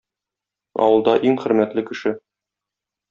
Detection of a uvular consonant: present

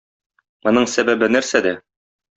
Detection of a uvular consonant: present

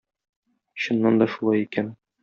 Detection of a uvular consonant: absent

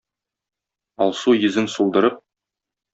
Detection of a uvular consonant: absent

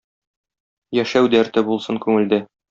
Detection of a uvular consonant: absent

